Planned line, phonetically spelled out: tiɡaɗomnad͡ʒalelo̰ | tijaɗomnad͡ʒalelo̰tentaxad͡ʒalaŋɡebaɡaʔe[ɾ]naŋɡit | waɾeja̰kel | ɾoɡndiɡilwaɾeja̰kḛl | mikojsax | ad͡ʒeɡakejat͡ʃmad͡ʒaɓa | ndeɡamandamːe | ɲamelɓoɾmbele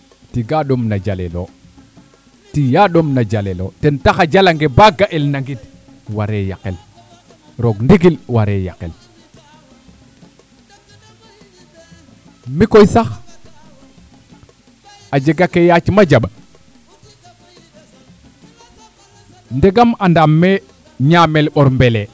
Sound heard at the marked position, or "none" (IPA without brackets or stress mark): l